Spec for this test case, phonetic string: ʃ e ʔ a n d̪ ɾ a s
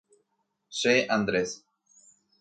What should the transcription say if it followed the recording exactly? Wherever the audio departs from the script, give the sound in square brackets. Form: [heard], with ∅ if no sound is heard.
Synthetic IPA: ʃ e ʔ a n d̪ ɾ [e] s